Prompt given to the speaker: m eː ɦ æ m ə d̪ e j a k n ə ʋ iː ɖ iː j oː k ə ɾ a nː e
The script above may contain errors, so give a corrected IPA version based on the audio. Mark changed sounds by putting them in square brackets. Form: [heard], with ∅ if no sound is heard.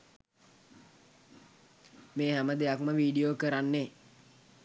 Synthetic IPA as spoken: m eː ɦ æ m ə d̪ e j a k [m] ə ʋ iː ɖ [i] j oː k ə ɾ a nː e